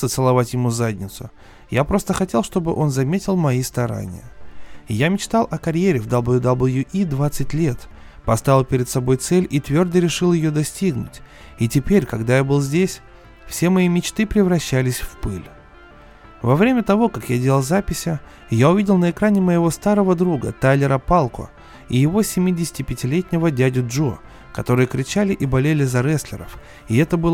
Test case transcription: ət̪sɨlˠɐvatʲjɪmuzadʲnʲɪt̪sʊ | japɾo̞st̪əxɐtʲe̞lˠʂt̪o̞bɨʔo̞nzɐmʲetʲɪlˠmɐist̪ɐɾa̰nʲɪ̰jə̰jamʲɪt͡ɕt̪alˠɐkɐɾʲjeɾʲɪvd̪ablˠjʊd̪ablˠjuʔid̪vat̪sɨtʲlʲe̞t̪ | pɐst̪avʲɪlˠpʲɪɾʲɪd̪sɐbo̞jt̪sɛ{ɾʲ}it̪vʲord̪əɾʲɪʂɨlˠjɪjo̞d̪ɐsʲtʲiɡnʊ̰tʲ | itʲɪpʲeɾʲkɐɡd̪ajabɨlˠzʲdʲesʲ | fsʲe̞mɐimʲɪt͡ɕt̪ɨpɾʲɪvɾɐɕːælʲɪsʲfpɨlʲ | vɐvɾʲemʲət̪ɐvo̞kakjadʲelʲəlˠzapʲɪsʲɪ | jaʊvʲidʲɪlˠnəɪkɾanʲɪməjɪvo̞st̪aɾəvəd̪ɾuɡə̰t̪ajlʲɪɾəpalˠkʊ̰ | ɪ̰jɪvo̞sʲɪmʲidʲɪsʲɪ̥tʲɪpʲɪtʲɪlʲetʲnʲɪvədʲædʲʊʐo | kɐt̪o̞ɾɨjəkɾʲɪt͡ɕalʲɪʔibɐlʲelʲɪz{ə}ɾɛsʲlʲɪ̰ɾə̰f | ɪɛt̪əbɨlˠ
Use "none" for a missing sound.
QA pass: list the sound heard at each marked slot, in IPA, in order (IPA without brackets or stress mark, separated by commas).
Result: lʲ, ɐ